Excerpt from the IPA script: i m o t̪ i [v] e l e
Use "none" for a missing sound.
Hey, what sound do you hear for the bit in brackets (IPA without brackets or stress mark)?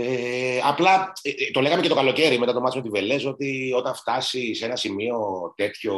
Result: v